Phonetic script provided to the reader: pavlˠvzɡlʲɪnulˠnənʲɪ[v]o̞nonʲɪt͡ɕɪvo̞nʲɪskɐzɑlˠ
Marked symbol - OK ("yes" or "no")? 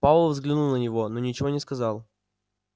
yes